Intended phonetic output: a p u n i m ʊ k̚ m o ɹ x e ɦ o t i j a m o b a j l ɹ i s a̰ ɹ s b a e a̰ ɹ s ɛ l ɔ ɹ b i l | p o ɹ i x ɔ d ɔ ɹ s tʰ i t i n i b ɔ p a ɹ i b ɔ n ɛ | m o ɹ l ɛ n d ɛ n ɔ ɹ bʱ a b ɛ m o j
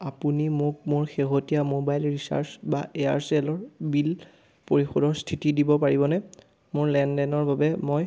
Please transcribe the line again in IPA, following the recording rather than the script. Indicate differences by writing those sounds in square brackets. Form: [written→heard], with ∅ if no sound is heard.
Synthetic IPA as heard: a p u n i m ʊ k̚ m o ɹ x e ɦ o t i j a m o b a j l ɹ i s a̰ ɹ s b a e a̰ ɹ s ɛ l ɔ ɹ b i l | p o ɹ i x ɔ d ɔ ɹ s tʰ i t i [n→d] i b ɔ p a ɹ i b ɔ n ɛ | m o ɹ l ɛ n d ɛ n ɔ ɹ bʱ a b ɛ m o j